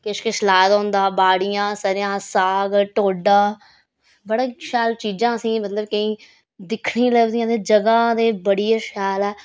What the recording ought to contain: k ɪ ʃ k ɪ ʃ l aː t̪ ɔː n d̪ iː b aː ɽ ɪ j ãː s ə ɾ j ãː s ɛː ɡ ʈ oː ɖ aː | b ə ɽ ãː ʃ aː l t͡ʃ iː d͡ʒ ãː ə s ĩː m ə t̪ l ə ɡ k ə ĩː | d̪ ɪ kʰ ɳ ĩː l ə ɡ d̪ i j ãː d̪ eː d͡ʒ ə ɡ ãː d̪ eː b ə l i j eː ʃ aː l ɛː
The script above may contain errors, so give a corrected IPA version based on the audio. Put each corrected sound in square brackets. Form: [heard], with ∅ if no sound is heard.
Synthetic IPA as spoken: k ɪ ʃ k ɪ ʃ l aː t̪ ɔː n d̪ [aː] b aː ɽ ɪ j ãː s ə ɾ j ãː s [aː] ɡ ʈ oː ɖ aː | b ə ɽ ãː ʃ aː l t͡ʃ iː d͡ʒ ãː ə s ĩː m ə t̪ l ə [b] k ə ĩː | d̪ ɪ kʰ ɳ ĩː l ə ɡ d̪ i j ãː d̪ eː d͡ʒ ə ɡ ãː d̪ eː b ə [ɽ] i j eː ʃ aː l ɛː